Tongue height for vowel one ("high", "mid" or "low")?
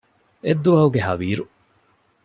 mid